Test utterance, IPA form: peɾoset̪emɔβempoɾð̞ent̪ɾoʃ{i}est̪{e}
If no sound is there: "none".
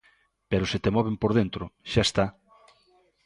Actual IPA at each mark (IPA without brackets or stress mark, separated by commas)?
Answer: a, a